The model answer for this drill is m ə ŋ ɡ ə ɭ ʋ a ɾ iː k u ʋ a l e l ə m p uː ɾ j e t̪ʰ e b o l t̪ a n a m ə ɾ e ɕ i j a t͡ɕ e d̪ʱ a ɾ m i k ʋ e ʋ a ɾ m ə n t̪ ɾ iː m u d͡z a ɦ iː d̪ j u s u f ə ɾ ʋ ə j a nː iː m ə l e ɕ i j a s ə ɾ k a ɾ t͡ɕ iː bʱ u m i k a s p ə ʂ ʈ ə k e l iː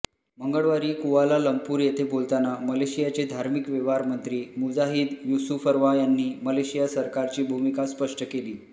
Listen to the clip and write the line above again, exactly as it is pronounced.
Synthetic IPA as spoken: m ə ŋ ɡ ə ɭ ʋ a ɾ iː k u ʋ a l a l ə m p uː ɾ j e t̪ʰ e b o l t̪ a n a m ə l e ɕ i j a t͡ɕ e d̪ʱ a ɾ m i k ʋ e ʋ a ɾ m ə n t̪ ɾ iː m u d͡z a ɦ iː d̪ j u s u f ə ɾ ʋ a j a nː iː m ə l e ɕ i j a s ə ɾ k a ɾ t͡ɕ iː bʱ u m i k a s p ə ʂ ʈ ə k e l iː